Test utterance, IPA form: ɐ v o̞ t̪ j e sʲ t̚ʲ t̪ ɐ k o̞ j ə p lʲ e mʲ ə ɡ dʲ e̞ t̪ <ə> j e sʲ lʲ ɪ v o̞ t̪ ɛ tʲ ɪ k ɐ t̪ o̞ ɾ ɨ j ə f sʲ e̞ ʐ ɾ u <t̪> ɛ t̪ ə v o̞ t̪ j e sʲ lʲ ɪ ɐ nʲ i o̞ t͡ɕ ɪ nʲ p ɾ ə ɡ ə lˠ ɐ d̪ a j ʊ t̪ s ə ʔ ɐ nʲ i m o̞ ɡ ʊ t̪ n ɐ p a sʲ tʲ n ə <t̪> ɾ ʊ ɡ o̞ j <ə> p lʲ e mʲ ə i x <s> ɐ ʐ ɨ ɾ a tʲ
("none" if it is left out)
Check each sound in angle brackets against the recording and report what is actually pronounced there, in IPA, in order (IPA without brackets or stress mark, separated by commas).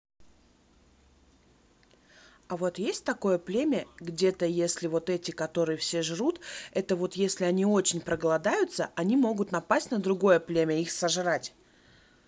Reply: ə, t̪, d̪, ə, s